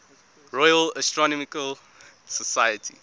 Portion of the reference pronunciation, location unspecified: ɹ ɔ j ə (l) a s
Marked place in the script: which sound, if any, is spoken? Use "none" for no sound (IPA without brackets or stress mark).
l